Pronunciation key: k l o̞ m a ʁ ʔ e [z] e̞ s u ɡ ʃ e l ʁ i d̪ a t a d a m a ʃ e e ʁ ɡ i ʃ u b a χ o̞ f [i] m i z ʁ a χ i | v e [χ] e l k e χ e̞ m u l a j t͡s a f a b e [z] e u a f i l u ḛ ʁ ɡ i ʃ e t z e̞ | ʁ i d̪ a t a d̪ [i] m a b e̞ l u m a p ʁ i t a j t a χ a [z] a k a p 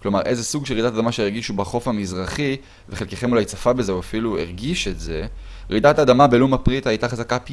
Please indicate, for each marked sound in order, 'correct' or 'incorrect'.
correct, incorrect: a, correct, correct, incorrect: a, correct

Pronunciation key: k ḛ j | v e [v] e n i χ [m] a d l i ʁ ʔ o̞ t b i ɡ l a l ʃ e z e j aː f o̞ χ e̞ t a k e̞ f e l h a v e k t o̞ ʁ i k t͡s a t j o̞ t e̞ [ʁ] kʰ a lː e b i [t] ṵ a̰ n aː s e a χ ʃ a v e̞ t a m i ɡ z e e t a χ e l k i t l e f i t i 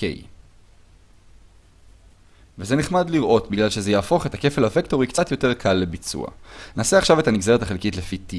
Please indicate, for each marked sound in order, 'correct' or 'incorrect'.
incorrect: z, correct, correct, incorrect: t͡s

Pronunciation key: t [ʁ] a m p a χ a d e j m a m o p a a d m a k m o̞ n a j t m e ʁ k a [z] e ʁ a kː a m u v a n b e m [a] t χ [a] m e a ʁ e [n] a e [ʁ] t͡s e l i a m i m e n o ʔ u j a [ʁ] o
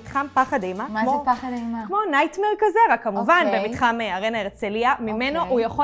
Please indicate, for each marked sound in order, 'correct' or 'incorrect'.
incorrect: χ, correct, incorrect: i, correct, correct, correct, incorrect: χ

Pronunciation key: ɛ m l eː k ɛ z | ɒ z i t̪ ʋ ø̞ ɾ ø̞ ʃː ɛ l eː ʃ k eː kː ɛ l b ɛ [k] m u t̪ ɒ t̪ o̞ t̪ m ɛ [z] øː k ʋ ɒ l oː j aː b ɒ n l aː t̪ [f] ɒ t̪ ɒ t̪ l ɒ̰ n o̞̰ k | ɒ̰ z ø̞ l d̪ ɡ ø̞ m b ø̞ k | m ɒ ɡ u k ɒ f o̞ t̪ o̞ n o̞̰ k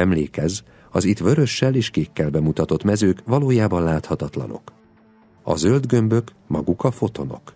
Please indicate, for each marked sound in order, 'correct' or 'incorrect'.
incorrect: none, correct, incorrect: h

